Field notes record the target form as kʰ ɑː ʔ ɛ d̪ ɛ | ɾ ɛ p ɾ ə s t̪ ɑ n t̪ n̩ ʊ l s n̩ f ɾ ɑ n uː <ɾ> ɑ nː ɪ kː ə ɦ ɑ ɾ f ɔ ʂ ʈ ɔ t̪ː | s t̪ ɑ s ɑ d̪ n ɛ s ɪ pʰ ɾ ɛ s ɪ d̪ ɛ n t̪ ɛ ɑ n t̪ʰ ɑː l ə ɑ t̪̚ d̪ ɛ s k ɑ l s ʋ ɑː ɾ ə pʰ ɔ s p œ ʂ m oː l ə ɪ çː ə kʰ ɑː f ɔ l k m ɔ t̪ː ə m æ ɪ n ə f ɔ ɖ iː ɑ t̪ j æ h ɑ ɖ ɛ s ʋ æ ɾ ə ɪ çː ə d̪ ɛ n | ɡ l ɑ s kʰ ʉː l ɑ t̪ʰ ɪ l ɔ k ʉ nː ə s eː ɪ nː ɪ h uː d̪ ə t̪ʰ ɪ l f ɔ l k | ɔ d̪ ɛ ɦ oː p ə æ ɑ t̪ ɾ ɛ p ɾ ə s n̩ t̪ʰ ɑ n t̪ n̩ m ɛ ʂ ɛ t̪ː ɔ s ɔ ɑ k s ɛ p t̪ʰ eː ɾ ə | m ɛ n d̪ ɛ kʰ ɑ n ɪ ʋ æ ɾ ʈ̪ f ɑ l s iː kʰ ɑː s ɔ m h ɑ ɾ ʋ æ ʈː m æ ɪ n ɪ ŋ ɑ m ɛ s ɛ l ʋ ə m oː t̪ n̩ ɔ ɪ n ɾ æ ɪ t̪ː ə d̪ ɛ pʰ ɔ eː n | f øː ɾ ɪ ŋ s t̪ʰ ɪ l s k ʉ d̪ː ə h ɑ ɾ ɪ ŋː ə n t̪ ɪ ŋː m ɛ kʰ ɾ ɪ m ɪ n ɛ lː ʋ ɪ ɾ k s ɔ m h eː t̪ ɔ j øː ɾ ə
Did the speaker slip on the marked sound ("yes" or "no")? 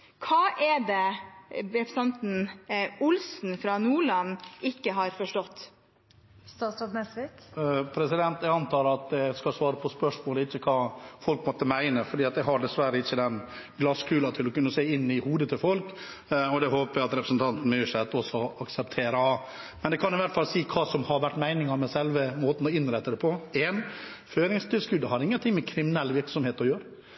yes